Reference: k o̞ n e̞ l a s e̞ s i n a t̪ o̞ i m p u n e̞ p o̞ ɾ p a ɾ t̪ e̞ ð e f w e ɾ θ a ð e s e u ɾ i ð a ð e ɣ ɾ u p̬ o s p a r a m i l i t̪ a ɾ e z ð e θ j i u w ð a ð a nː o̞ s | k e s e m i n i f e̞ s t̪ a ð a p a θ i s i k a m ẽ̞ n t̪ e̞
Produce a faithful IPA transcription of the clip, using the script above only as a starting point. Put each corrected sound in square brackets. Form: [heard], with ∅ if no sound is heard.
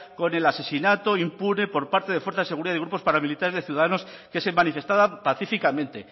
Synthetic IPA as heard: k o̞ n e̞ l a s e̞ s i n a t̪ o̞ i m p u n e̞ p o̞ ɾ p a ɾ t̪ e̞ ð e f w e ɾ θ a ð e s e u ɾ i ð a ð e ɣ ɾ u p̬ o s p a [ɾ] a m i l i t̪ a ɾ e z ð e θ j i u [∅] ð a ð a [n] o̞ s | k e s e m [a] n i f e̞ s t̪ a ð a p a θ i [f] i k a m ẽ̞ n t̪ e̞